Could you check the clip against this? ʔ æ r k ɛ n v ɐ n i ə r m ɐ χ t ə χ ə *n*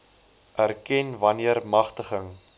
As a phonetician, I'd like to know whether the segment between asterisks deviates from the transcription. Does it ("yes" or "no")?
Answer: yes